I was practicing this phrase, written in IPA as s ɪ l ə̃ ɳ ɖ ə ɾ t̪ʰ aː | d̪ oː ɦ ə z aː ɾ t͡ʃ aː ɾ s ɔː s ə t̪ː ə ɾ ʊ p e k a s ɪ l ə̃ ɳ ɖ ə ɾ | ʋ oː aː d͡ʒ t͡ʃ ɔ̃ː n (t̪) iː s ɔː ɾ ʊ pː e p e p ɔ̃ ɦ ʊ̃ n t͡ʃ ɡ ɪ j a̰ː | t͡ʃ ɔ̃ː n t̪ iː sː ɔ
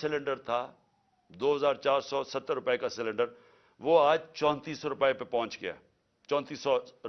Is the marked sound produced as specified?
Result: yes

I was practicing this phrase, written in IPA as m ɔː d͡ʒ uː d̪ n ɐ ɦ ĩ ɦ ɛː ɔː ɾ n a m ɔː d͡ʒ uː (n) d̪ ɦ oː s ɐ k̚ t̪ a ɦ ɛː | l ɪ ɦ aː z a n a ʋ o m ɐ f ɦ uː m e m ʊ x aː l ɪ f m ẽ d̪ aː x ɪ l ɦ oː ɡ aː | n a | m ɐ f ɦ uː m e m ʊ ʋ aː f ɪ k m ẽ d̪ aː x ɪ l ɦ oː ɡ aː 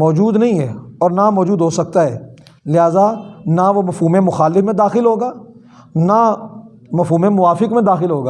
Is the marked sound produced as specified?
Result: no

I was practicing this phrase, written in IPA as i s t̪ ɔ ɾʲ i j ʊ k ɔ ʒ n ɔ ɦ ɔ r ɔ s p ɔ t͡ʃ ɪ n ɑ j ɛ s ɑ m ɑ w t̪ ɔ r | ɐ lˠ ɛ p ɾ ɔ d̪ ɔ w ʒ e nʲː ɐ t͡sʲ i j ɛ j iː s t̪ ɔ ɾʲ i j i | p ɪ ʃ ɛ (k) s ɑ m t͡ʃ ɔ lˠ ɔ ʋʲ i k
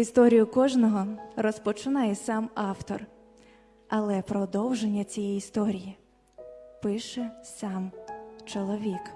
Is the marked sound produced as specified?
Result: no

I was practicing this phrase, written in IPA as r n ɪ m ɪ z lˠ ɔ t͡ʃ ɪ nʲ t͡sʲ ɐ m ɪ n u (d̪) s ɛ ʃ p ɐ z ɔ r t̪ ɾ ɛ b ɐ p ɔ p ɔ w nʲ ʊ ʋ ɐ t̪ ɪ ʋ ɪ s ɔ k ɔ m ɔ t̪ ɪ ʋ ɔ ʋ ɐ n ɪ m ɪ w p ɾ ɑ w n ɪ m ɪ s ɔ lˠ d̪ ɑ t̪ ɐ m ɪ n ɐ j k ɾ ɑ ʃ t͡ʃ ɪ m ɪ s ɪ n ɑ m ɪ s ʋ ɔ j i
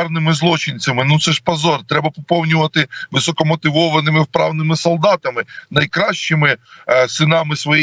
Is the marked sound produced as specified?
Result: no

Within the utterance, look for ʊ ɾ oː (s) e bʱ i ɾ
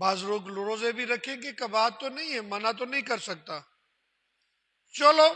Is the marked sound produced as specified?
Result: no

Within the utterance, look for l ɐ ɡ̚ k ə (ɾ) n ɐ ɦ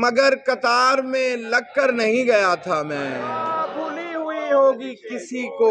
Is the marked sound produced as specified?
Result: yes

